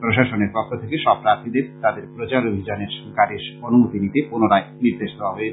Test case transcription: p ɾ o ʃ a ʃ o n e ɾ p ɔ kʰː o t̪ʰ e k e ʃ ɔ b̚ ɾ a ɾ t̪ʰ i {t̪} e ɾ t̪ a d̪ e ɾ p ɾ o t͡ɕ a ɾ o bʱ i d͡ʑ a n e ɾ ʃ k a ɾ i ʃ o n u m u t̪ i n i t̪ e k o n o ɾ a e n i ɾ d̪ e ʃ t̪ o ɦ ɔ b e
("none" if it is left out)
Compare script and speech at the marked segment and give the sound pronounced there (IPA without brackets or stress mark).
d̪